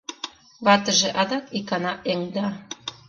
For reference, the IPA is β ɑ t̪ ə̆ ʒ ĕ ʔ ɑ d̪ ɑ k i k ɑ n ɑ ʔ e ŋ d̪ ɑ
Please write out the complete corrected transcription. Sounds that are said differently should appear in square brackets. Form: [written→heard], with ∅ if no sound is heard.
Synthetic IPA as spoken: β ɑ t̪ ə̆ ʒ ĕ ʔ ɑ d̪ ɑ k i k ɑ n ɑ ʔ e ŋ d̪ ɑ